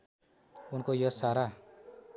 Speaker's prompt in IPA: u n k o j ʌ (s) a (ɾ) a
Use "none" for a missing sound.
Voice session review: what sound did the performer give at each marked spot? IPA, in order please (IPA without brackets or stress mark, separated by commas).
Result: s, ɾ